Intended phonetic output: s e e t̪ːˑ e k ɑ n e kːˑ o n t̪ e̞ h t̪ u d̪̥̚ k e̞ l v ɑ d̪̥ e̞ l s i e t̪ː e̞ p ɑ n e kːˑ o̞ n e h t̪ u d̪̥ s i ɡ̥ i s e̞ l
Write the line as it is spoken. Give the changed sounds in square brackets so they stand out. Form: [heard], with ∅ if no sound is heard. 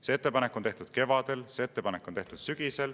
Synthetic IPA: s e e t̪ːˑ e [p] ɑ n e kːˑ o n t̪ e̞ h t̪ u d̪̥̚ k e̞ [∅] v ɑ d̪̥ e̞ l s [e] e t̪ː e̞ p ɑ n e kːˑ o̞ n e h t̪ u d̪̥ s [y] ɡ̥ i s e̞ l